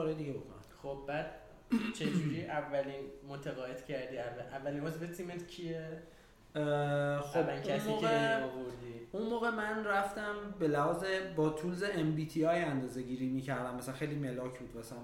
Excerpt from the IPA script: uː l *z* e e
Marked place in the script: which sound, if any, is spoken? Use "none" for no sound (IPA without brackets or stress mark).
z